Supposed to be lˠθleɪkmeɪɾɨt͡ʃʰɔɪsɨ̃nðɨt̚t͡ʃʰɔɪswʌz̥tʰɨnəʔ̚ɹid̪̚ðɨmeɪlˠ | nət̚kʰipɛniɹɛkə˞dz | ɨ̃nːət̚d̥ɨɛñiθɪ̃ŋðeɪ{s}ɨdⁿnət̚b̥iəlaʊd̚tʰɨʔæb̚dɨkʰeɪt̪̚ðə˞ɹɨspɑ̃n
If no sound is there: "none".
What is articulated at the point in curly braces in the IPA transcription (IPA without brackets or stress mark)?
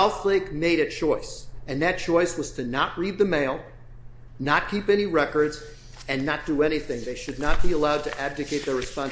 ʃ